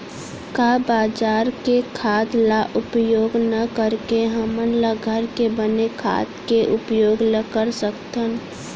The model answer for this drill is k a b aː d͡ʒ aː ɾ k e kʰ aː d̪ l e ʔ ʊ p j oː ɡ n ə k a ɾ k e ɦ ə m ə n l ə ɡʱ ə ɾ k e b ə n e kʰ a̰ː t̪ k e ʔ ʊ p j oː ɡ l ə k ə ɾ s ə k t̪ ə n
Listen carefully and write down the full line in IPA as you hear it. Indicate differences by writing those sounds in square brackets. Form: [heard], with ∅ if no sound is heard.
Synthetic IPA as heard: k a b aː d͡ʒ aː ɾ k e kʰ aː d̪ l [a] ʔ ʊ p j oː ɡ n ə k [ə] ɾ k e ɦ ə m ə n l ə ɡʱ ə ɾ k e b ə n e kʰ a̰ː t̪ k e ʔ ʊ p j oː ɡ l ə k ə ɾ s ə k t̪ ə n